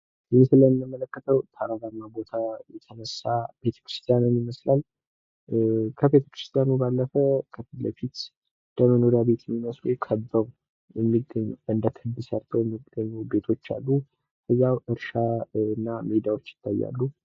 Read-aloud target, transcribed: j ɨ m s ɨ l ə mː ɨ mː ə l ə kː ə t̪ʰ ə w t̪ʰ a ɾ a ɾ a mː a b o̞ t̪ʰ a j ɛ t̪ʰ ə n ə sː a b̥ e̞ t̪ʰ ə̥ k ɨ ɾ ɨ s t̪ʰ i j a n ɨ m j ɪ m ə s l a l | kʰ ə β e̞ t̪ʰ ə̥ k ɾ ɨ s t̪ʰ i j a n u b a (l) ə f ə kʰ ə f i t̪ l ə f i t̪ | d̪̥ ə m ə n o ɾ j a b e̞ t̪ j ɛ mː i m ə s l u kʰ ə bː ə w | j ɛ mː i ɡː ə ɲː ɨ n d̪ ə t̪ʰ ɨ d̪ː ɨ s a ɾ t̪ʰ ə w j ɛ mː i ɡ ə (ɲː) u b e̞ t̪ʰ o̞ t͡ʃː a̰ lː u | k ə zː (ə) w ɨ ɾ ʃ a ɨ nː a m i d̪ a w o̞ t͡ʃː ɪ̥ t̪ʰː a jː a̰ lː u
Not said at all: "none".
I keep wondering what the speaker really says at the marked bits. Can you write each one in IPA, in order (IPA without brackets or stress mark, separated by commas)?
lː, ɲː, a